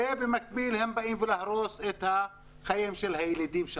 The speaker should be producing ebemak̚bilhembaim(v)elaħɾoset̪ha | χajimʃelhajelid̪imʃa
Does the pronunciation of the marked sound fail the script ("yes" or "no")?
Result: no